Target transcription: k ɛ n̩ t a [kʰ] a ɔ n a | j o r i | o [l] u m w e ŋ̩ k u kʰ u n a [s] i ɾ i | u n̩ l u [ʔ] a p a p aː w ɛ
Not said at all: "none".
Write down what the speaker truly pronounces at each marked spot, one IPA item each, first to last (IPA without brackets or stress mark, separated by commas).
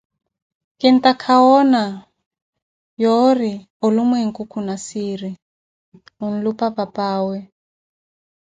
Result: kʰ, l, s, p